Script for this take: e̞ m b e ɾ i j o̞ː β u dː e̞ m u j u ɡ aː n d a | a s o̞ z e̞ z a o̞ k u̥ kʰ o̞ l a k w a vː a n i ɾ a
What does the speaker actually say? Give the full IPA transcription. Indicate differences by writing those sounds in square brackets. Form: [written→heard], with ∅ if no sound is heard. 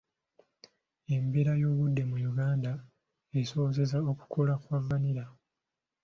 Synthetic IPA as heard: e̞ m b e ɾ [i→a] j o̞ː β u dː e̞ m u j u ɡ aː n d a | [a→e] s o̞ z e̞ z a o̞ k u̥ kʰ o̞ l a k w a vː a n i ɾ a